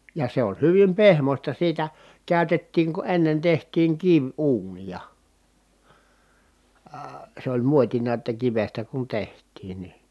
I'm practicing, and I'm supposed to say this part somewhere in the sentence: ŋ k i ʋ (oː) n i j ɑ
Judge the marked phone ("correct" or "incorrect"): incorrect